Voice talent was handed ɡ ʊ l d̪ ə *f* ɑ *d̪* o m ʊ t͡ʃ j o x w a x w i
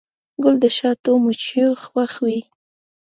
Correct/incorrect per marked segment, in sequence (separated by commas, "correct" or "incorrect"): incorrect, incorrect